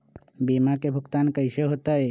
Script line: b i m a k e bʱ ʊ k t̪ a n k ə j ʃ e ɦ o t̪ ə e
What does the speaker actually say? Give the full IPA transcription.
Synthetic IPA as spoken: b i m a k e bʱ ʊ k t̪ a n k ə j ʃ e ɦ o t̪ a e